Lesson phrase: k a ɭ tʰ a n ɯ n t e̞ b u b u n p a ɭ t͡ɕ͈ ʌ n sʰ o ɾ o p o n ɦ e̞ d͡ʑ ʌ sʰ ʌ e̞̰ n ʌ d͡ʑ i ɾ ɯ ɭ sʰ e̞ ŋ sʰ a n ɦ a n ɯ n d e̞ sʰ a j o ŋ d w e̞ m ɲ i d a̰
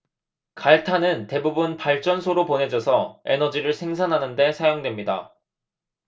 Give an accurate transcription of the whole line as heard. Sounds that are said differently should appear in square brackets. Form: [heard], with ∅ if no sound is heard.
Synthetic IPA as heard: k a ɭ tʰ a n ɯ n t e̞ b u b u n p a ɭ t͡ɕ͈ ʌ n sʰ o ɾ o p o n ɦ e̞ d͡ʑ ʌ sʰ ʌ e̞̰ n ʌ d͡ʑ i ɾ ɯ ɭ sʰ e̞ ŋ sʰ a n ɦ a n ɯ n d e̞ sʰ a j o ŋ d w e̞ m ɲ i d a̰